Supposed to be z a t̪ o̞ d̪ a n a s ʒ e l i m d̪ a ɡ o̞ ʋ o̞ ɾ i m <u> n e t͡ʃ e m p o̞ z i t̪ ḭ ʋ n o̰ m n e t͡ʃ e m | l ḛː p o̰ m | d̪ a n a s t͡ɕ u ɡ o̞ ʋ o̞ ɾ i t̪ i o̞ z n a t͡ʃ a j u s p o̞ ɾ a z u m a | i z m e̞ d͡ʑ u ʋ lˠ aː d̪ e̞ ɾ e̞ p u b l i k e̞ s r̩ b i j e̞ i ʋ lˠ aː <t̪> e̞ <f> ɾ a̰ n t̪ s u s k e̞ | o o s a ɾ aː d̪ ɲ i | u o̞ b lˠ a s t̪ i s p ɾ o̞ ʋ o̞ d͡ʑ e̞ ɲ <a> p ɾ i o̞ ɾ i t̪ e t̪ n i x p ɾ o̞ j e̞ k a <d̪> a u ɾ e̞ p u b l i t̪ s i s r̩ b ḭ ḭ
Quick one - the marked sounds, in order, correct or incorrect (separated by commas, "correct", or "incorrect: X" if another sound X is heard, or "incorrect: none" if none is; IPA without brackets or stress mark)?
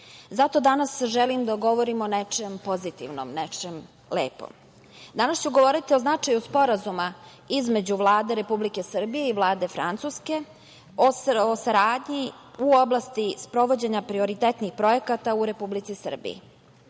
incorrect: o, incorrect: d̪, correct, correct, incorrect: t̪